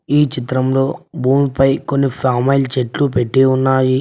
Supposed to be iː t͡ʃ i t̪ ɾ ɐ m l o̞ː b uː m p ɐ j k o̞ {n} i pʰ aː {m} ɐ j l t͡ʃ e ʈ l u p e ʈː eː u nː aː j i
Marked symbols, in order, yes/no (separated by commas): no, yes